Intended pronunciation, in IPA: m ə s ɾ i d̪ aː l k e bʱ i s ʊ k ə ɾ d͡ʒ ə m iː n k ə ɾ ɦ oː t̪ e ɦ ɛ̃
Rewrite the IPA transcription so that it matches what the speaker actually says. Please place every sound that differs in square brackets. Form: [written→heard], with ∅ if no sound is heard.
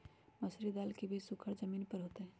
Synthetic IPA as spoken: m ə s ɾ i d̪ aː l k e bʱ i s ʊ [k→kʰ] ə ɾ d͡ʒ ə m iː n [k→p] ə ɾ ɦ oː t̪ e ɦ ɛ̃

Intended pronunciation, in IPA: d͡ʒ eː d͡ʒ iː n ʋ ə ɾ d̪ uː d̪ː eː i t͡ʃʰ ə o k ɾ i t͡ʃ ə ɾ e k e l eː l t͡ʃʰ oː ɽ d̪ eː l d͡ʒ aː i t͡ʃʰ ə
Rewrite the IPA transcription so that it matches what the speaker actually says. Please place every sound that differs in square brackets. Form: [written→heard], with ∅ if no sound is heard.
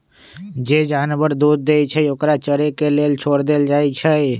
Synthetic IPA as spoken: d͡ʒ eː d͡ʒ [iː→aː] n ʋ ə ɾ d̪ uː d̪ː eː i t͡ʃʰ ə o k ɾ [i→a] t͡ʃ ə ɾ e k e l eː l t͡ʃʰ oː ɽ d̪ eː l d͡ʒ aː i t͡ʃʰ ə

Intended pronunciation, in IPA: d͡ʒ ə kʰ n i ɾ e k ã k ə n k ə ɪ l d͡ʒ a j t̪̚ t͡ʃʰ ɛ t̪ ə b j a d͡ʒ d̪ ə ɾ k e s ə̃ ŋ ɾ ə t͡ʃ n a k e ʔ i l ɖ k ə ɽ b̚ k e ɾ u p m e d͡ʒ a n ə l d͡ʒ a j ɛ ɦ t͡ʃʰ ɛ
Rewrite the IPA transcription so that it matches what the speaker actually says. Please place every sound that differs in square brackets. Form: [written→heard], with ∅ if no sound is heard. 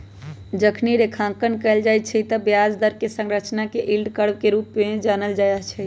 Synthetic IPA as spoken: d͡ʒ ə kʰ n i ɾ e [k→kʰ] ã k ə n k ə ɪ l d͡ʒ a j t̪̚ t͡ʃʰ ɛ t̪ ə b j a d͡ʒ d̪ ə ɾ k e s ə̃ ŋ ɾ ə t͡ʃ n a k e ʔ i l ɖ k ə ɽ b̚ k e ɾ u p m e d͡ʒ a n ə l d͡ʒ a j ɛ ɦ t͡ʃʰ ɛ

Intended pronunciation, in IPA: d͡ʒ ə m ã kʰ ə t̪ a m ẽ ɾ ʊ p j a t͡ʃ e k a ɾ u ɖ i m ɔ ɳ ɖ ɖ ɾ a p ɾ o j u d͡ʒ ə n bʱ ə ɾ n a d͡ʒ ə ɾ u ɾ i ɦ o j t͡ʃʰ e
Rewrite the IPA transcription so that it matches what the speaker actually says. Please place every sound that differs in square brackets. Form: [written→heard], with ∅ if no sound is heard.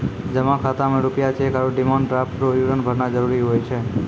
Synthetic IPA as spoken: d͡ʒ ə m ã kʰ [ə→a] t̪ a m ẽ ɾ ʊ p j a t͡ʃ e k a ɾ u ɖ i m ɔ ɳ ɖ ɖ ɾ a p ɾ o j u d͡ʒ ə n bʱ ə ɾ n a d͡ʒ ə ɾ u ɾ i ɦ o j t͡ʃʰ e

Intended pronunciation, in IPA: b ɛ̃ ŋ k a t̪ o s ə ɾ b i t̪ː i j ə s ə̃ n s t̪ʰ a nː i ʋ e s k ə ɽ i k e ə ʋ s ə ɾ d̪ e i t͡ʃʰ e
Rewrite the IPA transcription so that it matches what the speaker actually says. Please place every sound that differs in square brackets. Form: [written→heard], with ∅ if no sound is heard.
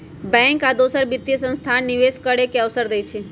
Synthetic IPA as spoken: b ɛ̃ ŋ k a [t̪→d̪] o s ə ɾ b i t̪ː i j ə s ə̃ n s t̪ʰ a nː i ʋ e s k ə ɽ [i→e] k e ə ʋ s ə ɾ d̪ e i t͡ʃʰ e

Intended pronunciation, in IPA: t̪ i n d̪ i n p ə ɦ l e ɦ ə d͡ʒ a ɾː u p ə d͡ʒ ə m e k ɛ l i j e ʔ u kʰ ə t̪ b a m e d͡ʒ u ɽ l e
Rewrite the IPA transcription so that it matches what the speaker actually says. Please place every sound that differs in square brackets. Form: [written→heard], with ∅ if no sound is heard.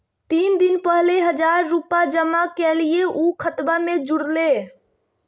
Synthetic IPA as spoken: t̪ i n d̪ i n p ə ɦ l e ɦ ə d͡ʒ a ɾː u p [ə→a] d͡ʒ ə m [e→a] k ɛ l i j e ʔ u kʰ ə t̪ b a m e d͡ʒ u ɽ l e

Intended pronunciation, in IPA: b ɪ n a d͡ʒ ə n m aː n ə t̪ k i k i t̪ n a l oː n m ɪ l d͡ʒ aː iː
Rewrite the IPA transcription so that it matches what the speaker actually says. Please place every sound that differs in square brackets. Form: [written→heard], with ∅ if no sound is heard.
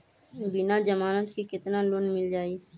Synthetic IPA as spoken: b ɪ n a d͡ʒ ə [n→∅] m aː n ə t̪ k i k [i→ɪ] t̪ n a l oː n m ɪ l d͡ʒ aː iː

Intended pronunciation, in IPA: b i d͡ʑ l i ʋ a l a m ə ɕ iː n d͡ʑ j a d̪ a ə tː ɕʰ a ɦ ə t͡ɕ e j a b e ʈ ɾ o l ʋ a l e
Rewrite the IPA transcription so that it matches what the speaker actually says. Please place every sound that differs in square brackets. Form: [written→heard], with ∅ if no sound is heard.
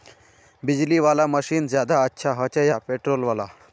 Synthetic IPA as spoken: b i d͡ʑ l i ʋ a l a m ə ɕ iː n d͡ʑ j a d̪ a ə tː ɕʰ a ɦ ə t͡ɕ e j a [b→p] e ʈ ɾ o l ʋ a l [e→a]

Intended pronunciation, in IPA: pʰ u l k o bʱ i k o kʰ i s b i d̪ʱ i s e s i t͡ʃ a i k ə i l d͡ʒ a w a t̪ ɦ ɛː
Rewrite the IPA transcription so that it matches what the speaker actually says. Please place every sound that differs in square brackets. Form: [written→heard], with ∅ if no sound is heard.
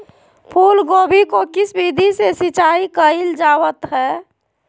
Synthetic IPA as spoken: pʰ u l [k→ɡ] o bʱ i k o [kʰ→k] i s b i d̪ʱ i s e s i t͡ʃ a i k ə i l d͡ʒ a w [a→ə] t̪ ɦ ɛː

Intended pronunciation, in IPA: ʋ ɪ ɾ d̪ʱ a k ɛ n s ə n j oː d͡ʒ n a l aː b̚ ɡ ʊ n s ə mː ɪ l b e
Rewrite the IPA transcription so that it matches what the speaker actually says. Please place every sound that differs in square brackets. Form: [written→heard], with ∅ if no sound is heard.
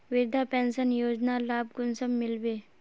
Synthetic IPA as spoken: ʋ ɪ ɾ d̪ʱ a [k→p] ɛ n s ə n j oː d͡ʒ n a l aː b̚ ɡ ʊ n s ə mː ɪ l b e

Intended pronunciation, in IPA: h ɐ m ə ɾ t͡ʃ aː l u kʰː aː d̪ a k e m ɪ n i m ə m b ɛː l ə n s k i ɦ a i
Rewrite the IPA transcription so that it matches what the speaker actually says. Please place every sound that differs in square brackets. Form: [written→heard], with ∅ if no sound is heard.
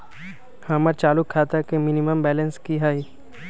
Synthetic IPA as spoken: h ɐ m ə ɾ t͡ʃ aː l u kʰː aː [d̪→t̪] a k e m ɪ n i m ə m b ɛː l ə n s k i ɦ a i

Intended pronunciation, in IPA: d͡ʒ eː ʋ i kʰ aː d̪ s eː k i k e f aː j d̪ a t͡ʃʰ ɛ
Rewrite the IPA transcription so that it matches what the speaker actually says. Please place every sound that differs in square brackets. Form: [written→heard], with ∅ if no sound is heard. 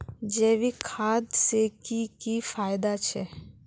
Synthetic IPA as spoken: d͡ʒ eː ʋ i kʰ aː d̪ s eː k i k [e→i] f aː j d̪ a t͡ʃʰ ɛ

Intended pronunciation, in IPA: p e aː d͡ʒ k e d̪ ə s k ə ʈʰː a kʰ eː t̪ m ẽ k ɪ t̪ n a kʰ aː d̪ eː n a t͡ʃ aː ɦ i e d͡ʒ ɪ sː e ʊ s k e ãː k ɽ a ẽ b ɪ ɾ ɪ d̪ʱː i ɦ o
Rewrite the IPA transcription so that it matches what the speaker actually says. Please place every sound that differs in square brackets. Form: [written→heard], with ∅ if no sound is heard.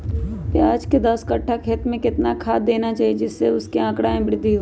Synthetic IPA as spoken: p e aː d͡ʒ k e d̪ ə s k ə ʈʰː a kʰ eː t̪ m ẽ k ɪ t̪ n a kʰ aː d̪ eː n a t͡ʃ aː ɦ i e d͡ʒ ɪ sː e ʊ s k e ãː k ɽ a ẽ b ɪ ɾ ɪ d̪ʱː i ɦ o

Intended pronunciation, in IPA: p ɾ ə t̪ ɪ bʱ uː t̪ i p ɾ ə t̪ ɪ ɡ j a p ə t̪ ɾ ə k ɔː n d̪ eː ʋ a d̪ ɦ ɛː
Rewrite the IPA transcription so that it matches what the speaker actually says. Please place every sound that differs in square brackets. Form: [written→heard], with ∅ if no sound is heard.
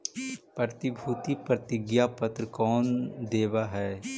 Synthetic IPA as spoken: p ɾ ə t̪ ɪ bʱ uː t̪ i p ɾ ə t̪ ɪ ɡ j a p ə t̪ ɾ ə k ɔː n d̪ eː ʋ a [d̪→∅] ɦ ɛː

